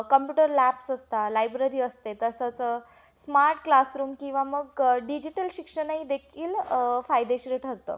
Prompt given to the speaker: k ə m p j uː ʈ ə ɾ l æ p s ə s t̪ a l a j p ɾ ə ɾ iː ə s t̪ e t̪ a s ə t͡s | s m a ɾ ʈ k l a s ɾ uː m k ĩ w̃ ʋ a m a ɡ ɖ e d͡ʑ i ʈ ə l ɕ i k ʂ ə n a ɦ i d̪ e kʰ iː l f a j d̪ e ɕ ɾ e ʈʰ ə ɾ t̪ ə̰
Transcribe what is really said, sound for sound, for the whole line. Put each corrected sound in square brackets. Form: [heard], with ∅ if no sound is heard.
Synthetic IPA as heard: k ə m p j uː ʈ ə ɾ l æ p s ə s t̪ a l a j [b] ɾ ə ɾ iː ə s t̪ e t̪ [ə] s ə t͡s | s m a ɾ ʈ k l a s ɾ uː m k ĩ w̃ ʋ a m [ə] ɡ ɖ [i] d͡ʑ i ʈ ə l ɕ i k ʂ ə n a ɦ i d̪ e kʰ iː l f a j d̪ e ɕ ɾ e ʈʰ ə ɾ t̪ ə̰